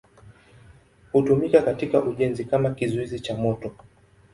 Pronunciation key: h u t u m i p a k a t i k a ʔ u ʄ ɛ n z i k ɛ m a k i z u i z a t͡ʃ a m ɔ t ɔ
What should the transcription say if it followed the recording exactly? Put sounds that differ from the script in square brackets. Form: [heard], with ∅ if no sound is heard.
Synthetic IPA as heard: h u t u m i [k] a k a t i k a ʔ u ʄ ɛ n z i k [a] m a k i z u i z [i] t͡ʃ a m ɔ t ɔ

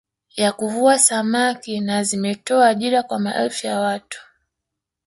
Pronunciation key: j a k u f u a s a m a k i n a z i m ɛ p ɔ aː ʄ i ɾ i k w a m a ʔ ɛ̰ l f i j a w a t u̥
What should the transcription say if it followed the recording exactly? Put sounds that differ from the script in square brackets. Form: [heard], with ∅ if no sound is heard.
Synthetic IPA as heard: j a k u [v] u a s a m a k i n a z i m ɛ [t] ɔ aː ʄ i ɾ [a] k w a m a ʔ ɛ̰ l f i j a w a t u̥

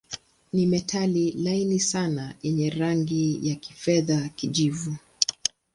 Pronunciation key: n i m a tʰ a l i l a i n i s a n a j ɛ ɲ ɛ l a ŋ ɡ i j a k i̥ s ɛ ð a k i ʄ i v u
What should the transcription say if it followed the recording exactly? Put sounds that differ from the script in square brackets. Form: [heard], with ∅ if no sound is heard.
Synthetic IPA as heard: n i m [ɛ] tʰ a l i l a i n i s a n a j ɛ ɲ ɛ [ɾ] a ŋ ɡ i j a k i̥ [f] ɛ ð a k i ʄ i v u

